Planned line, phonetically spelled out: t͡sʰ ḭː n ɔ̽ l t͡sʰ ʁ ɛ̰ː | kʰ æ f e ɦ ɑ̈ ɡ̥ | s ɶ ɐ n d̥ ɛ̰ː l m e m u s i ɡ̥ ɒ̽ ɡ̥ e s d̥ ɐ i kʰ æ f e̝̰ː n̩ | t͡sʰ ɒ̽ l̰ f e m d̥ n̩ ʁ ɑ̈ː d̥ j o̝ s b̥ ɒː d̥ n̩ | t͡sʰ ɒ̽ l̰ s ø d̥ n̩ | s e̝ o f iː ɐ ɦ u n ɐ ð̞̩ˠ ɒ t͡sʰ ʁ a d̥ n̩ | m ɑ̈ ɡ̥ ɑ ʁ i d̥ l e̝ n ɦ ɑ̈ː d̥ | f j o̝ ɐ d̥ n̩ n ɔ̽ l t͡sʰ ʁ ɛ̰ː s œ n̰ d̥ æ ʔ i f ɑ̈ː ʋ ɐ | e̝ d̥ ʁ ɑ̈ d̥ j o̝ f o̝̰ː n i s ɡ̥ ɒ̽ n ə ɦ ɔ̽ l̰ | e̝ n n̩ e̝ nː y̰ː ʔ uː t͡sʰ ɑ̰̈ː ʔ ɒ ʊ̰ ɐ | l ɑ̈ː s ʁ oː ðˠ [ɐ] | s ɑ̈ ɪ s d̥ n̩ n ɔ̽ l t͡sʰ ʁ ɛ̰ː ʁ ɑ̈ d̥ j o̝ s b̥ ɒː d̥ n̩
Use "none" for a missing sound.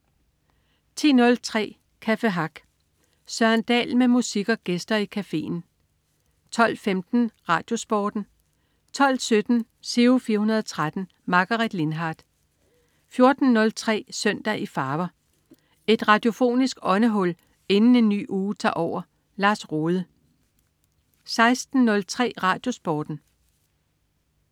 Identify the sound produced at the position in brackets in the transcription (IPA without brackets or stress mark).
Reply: ə